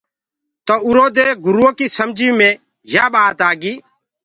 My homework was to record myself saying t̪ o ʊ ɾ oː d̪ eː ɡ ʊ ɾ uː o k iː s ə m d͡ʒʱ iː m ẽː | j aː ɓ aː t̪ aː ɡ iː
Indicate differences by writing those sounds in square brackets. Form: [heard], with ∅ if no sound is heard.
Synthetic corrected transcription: t̪ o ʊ ɾ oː d̪ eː ɡ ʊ ɾ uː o k iː s ə m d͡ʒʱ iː m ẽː | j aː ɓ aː t̪ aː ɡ iː